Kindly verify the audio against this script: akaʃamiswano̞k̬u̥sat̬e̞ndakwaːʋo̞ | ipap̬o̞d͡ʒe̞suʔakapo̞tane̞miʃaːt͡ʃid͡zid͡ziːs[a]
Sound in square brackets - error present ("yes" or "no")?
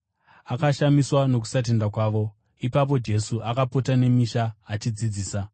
no